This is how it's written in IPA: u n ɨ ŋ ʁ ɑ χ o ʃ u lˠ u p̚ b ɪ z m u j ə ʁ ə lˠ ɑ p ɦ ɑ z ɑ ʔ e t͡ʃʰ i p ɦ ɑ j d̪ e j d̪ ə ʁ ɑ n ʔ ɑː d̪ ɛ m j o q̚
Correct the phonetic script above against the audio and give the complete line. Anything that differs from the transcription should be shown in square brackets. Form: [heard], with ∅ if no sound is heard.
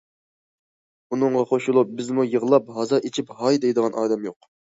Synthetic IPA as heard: u n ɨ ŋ ʁ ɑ χ o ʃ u lˠ u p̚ b ɪ z m u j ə ʁ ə lˠ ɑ p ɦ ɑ z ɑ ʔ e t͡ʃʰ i p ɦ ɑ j d̪ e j d̪ ə ʁ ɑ n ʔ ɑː d̪ ɛ m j o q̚